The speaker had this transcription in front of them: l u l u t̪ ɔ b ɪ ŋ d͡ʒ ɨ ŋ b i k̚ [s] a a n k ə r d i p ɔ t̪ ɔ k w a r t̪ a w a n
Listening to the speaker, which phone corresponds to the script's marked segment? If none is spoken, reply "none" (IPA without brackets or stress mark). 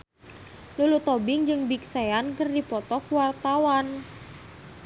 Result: s